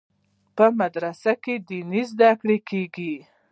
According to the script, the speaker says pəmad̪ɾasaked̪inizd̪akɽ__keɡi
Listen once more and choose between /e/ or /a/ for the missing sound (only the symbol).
e